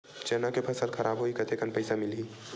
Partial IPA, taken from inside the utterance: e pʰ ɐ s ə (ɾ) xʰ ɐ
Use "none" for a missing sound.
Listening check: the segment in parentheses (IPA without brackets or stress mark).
l